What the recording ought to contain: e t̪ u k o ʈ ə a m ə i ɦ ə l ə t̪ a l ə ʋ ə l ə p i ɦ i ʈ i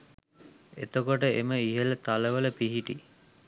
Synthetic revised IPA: e t̪ o k o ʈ ə e m ə i ɦ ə l ə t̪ a l ə ʋ ə l ə p i ɦ i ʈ i